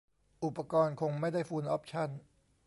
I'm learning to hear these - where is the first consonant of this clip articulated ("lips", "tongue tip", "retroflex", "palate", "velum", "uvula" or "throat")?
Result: throat